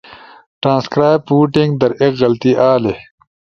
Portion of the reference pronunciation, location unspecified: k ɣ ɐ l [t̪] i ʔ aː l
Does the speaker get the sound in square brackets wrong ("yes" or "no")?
no